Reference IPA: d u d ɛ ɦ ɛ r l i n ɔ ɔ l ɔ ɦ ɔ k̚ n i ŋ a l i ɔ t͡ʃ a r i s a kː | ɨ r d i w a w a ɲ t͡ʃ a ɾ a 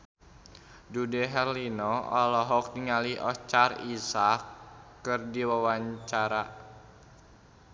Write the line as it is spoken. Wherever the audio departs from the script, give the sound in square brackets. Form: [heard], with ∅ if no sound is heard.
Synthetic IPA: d u d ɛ ɦ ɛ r l i n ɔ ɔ l ɔ ɦ ɔ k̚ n i ŋ a l i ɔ t͡ʃ a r i s a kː | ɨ r d i w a w a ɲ t͡ʃ a ɾ a

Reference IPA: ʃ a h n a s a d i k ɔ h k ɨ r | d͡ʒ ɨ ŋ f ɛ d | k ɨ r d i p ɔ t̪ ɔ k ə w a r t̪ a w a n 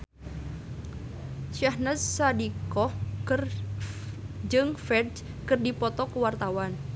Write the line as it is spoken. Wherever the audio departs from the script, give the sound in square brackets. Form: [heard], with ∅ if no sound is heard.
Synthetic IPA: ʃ a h n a s a d i k ɔ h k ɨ r | d͡ʒ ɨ ŋ f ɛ d | k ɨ r d i p ɔ t̪ ɔ k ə w a r t̪ a w a n

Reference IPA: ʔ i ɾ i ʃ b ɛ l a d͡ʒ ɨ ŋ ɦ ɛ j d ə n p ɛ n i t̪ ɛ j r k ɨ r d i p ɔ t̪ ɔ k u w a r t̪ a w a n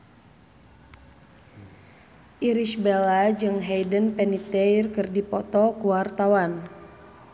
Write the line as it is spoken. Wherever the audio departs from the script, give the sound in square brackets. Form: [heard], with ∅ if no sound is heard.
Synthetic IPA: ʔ i ɾ i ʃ b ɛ l a d͡ʒ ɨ ŋ ɦ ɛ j d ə n p ɛ n i t̪ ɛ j r k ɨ r d i p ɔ t̪ ɔ k u w a r t̪ a w a n

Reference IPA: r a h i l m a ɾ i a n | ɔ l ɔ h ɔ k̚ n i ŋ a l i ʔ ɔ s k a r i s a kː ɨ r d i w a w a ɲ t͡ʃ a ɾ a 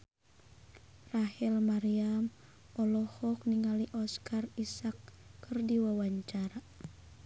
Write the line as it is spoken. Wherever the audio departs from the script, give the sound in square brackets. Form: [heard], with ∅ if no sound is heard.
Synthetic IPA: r a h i l m a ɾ i a [m] | ɔ l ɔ h ɔ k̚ n i ŋ a l i ʔ ɔ s k a r i s a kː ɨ r d i w a w a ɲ t͡ʃ a ɾ a

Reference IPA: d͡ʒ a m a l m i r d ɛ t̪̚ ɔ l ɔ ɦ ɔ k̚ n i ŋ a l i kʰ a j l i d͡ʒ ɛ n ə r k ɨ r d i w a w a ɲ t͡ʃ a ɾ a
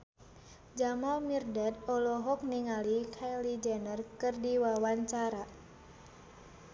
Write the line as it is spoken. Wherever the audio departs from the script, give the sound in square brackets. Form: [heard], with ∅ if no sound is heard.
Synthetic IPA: d͡ʒ a m a l m i r d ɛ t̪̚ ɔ l ɔ ɦ ɔ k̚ n i ŋ a l i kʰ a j l i d͡ʒ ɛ n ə r k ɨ r d i w a w a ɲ t͡ʃ a ɾ a

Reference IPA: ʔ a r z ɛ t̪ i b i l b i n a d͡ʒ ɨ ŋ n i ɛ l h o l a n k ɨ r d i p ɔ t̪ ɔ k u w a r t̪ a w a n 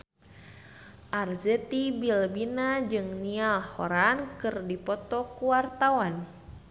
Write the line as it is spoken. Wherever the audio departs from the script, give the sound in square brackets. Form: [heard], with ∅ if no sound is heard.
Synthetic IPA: ʔ a r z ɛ t̪ i b i l b i n a d͡ʒ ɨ ŋ n i [a] l h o [ɾ] a n k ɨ r d i p ɔ t̪ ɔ k u w a r t̪ a w a n

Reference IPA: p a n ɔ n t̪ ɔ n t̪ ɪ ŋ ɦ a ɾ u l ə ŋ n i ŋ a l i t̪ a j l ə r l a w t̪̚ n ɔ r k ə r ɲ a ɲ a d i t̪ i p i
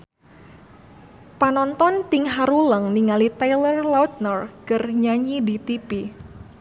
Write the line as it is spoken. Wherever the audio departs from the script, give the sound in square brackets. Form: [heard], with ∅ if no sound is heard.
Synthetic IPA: p a n ɔ n t̪ ɔ n t̪ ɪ ŋ ɦ a ɾ u l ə ŋ n i ŋ a l i t̪ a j l ə r l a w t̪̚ n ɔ r k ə r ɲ a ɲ [i] d i t̪ i p i

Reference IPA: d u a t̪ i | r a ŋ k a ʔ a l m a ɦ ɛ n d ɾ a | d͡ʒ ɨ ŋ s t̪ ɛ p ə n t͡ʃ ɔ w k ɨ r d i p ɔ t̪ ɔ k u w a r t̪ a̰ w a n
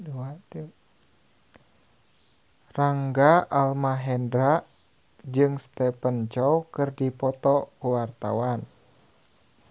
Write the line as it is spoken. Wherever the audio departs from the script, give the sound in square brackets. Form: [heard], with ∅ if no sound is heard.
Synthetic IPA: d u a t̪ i | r a ŋ [ɡ] a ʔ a l m a ɦ ɛ n d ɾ a | d͡ʒ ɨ ŋ s t̪ ɛ p ə n t͡ʃ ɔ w k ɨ r d i p ɔ t̪ ɔ k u w a r t̪ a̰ w a n

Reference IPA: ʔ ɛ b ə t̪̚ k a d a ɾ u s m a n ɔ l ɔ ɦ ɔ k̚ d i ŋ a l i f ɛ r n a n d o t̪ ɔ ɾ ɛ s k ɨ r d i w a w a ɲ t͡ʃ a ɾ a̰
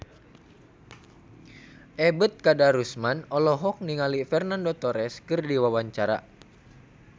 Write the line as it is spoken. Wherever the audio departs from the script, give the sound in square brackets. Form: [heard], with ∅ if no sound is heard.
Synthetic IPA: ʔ ɛ b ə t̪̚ k a d a ɾ u s m a n ɔ l ɔ ɦ ɔ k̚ [n] i ŋ a l i f ɛ r n a n d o t̪ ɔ ɾ ɛ s k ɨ r d i w a w a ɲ t͡ʃ a ɾ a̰

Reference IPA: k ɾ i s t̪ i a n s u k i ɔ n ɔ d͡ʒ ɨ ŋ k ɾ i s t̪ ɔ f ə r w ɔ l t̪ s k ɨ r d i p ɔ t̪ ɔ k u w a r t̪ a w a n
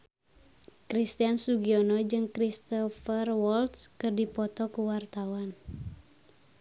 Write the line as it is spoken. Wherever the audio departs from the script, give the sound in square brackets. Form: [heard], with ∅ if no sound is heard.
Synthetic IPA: k ɾ i s t̪ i a n s u [ɡ] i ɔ n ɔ d͡ʒ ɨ ŋ k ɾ i s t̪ ɔ f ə r w ɔ l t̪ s k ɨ r d i p ɔ t̪ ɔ k u w a r t̪ a w a n

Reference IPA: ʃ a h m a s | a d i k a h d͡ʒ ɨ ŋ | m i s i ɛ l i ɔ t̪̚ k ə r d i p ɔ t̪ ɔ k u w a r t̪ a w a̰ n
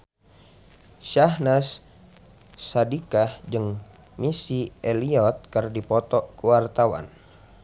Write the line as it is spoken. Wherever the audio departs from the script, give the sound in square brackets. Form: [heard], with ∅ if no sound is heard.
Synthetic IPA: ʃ a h [n] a s | a d i k a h d͡ʒ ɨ ŋ | m i s i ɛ l i ɔ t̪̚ k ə r d i p ɔ t̪ ɔ k u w a r t̪ a w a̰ n

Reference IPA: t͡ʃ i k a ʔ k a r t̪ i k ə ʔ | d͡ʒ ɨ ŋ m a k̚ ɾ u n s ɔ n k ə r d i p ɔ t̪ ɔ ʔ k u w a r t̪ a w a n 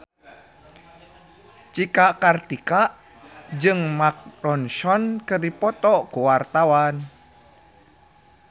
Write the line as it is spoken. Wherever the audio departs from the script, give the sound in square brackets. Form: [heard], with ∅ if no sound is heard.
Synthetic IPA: t͡ʃ i k a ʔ k a r t̪ i k [a] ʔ | d͡ʒ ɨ ŋ m a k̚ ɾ [ɔ] n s ɔ n k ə r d i p ɔ t̪ ɔ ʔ k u w a r t̪ a w a n

